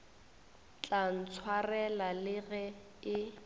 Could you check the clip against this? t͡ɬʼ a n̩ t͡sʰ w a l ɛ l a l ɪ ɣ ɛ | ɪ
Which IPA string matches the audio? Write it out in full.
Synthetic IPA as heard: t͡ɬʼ a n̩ t͡sʰ w a r ɛ l a l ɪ ɣ ɛ | ɪ